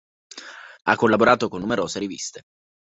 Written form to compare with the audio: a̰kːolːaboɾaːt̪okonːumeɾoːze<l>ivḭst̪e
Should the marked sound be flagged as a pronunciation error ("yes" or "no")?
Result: yes